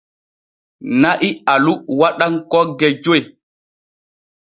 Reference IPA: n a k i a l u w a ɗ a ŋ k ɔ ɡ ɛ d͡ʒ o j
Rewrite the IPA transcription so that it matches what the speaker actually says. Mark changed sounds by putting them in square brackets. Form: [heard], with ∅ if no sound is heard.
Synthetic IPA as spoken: n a [ʔ] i a l u w a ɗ a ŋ k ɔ ɡ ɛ d͡ʒ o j

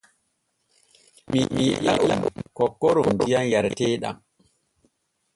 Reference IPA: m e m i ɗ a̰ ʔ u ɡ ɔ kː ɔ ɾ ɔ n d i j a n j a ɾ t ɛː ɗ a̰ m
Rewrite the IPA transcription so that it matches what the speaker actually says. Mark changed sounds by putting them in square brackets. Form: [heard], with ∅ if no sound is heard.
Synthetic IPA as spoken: m [i] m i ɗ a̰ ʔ u [k] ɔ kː ɔ ɾ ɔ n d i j a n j a ɾ t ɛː ɗ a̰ m

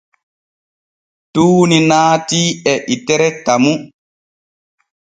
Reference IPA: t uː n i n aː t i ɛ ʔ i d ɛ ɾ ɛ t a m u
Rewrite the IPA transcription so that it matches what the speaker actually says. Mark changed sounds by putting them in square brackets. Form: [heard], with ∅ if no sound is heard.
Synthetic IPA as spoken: t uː n i n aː t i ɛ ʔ i [t] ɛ ɾ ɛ t a m u

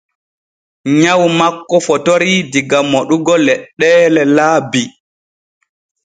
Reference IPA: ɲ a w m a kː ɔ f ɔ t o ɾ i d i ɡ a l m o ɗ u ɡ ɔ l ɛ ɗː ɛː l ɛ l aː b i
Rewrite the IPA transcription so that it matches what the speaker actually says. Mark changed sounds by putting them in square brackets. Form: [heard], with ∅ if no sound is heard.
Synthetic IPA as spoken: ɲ a w m a kː ɔ f ɔ t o ɾ i d i ɡ a [∅] m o ɗ u ɡ ɔ l ɛ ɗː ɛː l ɛ l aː b i

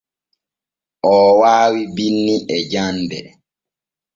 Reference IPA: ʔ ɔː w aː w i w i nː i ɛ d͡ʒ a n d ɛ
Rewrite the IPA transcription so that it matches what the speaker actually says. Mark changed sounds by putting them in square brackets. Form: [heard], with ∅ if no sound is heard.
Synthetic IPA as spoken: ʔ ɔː w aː w i [b] i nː i ɛ d͡ʒ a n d ɛ

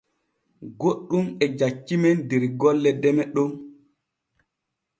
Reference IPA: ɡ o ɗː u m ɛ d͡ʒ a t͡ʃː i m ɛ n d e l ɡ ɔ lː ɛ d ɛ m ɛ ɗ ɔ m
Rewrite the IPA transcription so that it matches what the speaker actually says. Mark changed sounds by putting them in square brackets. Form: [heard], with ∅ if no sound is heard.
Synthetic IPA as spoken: ɡ o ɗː u m ɛ d͡ʒ a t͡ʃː i m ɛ n d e [ɾ] ɡ ɔ lː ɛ d ɛ m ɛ ɗ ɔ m

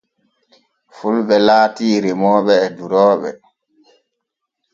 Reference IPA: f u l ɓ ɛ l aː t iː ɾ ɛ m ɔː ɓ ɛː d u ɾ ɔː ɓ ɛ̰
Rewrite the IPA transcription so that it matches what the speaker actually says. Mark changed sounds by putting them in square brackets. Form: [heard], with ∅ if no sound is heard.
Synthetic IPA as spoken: f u l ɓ ɛ l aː t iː ɾ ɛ m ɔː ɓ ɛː d u ɾ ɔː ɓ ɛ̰

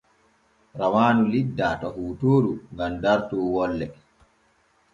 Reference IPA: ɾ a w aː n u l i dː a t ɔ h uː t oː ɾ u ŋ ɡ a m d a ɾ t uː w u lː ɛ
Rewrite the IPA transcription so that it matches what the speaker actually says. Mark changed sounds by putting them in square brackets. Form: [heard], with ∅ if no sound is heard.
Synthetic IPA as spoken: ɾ a w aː n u l i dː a t ɔ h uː t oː ɾ u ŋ ɡ a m d a ɾ t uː w [ɔ] lː ɛ

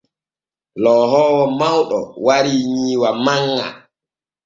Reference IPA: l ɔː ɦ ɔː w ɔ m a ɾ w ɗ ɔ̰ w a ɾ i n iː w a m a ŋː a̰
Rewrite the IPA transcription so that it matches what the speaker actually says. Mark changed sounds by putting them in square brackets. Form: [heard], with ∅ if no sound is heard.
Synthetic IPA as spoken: l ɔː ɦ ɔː w ɔ m a [∅] w ɗ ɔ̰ w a ɾ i [ɲ] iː w a m a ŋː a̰

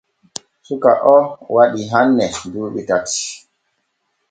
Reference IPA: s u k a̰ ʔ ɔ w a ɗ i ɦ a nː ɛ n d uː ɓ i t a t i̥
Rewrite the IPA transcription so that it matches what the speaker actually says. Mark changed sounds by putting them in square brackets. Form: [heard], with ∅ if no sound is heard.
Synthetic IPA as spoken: s u k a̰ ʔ ɔ w a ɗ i ɦ a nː ɛ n d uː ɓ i t a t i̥

